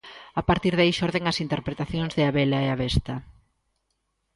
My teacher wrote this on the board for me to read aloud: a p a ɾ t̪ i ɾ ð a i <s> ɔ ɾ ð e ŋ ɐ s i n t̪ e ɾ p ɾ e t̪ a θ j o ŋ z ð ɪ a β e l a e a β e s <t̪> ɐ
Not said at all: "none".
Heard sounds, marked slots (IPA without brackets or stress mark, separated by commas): ʃ, t̪